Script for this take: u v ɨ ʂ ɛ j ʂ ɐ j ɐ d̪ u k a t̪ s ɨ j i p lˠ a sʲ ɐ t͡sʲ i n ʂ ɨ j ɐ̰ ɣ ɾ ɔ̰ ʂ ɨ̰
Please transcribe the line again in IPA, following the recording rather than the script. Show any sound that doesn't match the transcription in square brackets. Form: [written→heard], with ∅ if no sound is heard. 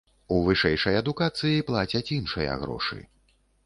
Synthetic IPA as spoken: u v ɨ ʂ ɛ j ʂ ɐ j ɐ d̪ u k a t̪ s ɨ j i p lˠ a [sʲ→t͡sʲ] ɐ t͡sʲ i n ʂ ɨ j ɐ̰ ɣ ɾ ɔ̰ ʂ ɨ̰